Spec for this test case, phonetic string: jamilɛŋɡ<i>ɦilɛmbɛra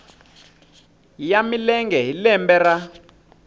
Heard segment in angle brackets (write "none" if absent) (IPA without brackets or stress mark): ɛ